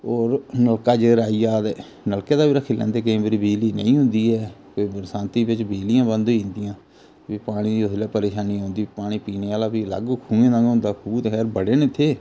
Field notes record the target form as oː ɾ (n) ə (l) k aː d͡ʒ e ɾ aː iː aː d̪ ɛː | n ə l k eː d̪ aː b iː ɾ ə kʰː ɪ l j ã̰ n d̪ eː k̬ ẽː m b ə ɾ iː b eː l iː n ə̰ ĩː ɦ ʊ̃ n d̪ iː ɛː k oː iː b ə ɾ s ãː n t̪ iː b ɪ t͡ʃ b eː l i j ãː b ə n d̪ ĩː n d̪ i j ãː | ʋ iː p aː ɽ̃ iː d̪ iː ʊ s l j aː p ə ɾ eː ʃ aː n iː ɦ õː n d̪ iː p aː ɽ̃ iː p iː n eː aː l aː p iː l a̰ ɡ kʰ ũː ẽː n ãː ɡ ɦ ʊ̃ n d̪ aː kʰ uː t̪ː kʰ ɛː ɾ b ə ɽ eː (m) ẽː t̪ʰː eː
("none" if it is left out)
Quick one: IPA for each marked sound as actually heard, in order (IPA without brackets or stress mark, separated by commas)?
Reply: n, l, n